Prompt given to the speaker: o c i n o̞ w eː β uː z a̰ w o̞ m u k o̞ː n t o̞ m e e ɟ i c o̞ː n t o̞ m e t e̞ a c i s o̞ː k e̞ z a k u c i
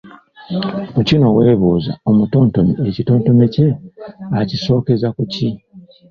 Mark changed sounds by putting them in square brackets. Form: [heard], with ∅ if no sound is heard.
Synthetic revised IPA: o c i n o̞ w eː β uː z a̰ [∅] o̞ m u [t] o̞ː n t o̞ m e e [c] i [t] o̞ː n t o̞ m e [c] e̞ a c i s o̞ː k e̞ z a k u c i